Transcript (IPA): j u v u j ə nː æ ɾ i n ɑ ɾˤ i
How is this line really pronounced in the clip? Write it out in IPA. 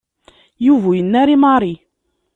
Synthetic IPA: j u v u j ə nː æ ɾ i m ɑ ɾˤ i